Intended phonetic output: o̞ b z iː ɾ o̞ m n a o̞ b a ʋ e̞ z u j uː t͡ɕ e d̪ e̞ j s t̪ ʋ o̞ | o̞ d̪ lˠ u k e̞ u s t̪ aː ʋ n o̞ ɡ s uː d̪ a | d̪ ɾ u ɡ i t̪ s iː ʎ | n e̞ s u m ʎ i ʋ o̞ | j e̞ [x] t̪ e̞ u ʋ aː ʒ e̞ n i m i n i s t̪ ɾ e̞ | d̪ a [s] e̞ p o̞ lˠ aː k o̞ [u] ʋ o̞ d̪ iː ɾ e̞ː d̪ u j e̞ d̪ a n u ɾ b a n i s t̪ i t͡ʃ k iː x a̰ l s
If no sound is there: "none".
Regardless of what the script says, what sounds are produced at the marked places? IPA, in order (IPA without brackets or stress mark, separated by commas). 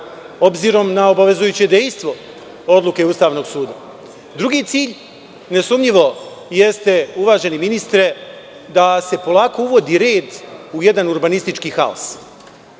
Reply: s, s, u